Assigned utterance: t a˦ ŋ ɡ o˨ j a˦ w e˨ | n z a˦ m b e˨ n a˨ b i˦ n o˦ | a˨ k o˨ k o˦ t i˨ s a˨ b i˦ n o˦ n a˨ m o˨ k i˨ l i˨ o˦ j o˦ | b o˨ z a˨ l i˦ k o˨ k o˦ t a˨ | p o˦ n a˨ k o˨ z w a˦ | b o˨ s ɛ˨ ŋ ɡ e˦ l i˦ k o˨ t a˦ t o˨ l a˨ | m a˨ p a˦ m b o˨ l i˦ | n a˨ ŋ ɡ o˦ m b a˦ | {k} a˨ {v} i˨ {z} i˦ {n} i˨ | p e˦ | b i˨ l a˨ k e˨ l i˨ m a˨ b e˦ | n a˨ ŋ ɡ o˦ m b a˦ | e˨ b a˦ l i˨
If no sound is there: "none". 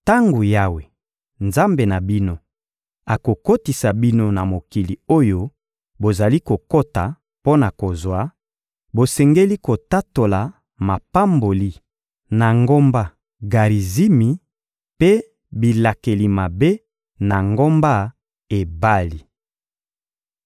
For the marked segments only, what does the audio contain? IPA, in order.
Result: ɡ, ʁ, z, m

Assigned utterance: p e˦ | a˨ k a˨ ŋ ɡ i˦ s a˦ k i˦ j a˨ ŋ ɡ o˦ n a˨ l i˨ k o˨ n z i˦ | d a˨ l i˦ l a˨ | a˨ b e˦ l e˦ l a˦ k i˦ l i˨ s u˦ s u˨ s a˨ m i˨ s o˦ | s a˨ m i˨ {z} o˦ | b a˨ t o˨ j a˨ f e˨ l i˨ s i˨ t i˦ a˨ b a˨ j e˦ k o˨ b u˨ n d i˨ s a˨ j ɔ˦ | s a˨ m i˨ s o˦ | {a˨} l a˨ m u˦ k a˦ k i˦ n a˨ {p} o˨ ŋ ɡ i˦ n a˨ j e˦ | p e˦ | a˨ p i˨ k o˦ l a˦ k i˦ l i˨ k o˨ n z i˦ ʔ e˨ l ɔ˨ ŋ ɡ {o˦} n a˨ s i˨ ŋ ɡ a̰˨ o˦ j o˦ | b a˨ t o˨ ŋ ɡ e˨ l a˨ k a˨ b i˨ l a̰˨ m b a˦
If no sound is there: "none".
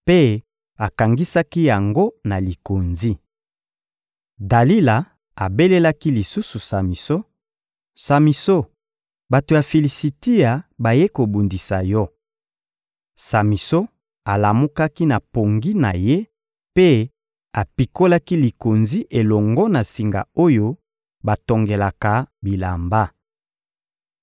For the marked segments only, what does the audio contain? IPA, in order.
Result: s, a˨, p, ɔ˦

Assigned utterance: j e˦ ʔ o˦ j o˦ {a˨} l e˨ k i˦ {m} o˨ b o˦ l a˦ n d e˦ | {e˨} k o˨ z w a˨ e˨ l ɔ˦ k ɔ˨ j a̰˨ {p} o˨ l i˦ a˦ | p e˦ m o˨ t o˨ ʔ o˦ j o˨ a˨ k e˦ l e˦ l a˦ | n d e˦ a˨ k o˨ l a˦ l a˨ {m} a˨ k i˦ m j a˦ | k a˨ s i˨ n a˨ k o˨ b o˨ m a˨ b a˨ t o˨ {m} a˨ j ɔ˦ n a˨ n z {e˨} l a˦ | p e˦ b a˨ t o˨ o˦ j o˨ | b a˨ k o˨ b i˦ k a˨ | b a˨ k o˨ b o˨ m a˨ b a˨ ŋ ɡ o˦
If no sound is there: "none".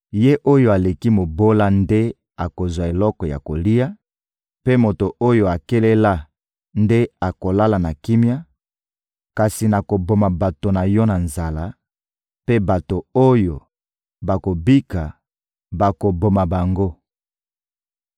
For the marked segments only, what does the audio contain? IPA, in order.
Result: a˨, m, a˨, k, n, n, a˨

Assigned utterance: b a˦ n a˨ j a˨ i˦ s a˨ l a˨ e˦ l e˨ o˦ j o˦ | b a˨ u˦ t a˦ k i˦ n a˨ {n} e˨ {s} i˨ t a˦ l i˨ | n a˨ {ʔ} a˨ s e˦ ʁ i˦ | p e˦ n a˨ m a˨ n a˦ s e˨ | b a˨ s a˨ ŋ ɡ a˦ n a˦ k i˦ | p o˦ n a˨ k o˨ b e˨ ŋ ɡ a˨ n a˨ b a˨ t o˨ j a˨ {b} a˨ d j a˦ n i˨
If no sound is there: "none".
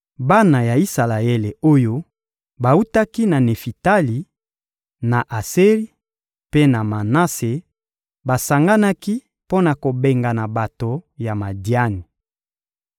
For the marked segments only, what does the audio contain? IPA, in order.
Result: n, f, ʔ, m

